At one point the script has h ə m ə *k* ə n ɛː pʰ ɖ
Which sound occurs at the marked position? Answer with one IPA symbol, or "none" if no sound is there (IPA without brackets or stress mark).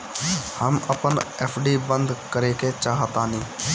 p